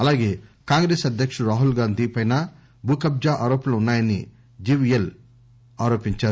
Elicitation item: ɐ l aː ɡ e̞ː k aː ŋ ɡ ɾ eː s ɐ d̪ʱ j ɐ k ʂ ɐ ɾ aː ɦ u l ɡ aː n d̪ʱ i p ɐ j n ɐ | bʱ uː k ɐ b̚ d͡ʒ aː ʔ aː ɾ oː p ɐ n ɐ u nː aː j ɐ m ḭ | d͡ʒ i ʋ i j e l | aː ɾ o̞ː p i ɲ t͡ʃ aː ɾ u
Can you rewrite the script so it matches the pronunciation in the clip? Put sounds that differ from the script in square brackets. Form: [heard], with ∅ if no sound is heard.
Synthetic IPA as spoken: ɐ l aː ɡ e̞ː k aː ŋ ɡ ɾ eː s ɐ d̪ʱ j ɐ k ʂ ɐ ɾ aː ɦ u l ɡ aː n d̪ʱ i p ɐ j n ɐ | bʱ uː k ɐ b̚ d͡ʒ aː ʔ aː ɾ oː p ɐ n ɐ u nː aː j ɐ [n] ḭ | d͡ʒ i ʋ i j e l | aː ɾ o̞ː p i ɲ t͡ʃ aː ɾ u